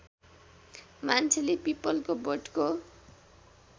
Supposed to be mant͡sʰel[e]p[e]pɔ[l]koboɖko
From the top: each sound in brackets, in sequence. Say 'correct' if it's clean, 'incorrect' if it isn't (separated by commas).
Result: correct, incorrect, correct